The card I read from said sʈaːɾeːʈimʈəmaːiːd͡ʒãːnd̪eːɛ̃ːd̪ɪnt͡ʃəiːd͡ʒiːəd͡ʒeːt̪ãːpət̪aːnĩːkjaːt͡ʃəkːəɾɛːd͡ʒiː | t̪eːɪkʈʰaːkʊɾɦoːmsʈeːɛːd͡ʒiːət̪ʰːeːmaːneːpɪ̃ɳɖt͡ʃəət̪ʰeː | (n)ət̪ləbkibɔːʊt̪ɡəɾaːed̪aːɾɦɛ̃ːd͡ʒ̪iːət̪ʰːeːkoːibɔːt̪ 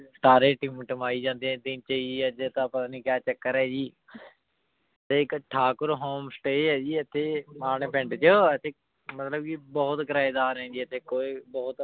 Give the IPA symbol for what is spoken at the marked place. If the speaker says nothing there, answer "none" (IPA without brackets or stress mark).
m